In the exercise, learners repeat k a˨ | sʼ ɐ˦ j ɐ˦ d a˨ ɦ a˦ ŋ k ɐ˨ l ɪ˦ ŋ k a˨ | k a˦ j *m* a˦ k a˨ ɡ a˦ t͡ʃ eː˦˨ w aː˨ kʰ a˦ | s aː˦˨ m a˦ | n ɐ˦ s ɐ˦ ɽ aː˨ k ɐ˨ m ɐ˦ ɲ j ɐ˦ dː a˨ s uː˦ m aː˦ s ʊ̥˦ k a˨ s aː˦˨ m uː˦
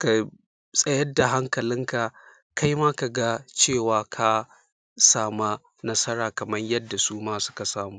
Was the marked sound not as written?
no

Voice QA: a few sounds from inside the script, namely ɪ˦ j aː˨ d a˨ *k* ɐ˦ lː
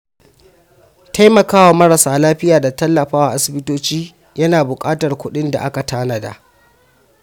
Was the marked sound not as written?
yes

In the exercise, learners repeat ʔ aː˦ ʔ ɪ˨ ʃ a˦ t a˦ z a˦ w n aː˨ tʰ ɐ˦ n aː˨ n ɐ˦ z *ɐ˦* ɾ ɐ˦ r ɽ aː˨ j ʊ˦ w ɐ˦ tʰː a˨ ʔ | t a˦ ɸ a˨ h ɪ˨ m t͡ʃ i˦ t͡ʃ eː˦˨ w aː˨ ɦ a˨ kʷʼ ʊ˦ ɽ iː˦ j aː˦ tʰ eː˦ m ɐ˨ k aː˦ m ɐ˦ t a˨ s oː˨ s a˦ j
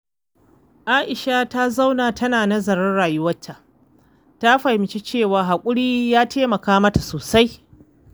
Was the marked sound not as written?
yes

